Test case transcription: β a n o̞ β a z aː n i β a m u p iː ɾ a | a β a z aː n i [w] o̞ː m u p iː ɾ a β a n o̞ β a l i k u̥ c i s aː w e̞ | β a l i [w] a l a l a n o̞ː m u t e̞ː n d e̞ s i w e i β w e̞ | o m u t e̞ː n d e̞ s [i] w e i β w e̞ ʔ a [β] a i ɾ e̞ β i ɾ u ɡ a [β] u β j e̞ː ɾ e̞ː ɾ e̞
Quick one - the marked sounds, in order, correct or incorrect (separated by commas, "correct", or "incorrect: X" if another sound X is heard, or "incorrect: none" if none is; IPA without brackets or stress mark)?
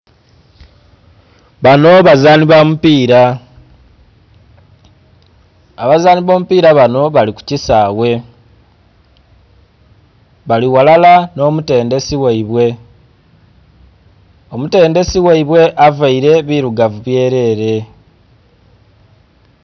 incorrect: β, correct, correct, incorrect: v, incorrect: v